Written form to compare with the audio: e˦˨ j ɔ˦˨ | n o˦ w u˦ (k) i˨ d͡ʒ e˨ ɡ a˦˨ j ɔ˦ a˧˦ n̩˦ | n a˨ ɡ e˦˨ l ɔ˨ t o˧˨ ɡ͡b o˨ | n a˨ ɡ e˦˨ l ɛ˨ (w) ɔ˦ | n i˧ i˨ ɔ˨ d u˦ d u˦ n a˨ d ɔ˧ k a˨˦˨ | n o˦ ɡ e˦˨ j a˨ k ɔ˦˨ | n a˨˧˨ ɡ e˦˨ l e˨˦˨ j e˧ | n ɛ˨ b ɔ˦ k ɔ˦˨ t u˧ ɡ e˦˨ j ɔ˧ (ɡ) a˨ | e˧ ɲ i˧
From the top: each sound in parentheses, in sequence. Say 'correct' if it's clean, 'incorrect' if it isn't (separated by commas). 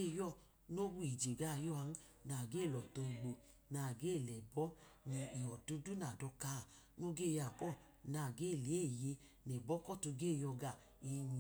incorrect, incorrect, correct